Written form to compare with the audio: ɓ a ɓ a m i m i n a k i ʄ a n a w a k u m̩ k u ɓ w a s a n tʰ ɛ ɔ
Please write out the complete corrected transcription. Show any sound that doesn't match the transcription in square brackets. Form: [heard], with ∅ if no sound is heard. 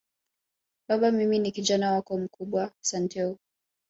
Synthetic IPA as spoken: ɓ a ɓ a m i m i n [i] k i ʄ a n a w a k [ɔ] m̩ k u ɓ w a s a n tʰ ɛ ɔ